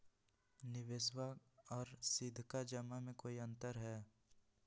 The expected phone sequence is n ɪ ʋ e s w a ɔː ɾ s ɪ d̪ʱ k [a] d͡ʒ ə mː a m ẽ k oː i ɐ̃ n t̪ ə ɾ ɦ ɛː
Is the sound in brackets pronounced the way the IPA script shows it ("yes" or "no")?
yes